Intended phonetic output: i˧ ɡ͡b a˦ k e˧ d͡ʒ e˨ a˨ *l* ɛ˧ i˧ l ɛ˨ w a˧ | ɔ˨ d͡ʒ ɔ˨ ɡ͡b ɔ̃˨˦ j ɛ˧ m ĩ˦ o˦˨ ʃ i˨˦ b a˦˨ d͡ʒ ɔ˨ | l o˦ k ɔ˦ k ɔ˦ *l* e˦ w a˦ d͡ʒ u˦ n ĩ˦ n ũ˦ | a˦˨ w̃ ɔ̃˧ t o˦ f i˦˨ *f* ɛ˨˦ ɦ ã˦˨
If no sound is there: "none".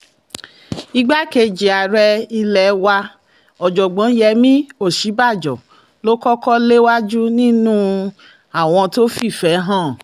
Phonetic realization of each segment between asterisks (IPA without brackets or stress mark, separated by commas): ɾ, l, f